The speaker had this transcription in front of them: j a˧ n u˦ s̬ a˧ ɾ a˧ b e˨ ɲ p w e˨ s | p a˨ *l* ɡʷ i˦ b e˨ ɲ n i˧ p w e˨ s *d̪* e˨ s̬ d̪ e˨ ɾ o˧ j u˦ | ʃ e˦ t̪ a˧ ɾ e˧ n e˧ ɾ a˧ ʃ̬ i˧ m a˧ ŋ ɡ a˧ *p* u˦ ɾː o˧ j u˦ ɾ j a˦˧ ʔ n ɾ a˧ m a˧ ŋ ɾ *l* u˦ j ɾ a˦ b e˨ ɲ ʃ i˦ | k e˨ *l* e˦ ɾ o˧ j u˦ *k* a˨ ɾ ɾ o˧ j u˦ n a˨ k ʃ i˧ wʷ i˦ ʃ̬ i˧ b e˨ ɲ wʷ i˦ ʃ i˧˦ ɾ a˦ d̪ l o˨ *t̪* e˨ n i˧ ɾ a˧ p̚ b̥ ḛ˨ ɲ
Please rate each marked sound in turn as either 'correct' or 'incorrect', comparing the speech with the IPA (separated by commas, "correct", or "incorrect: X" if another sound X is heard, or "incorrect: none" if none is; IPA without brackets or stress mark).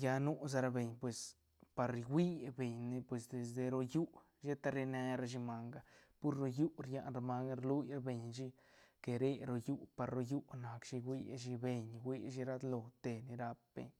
incorrect: ɾ, correct, correct, correct, incorrect: ɾ, incorrect: p, correct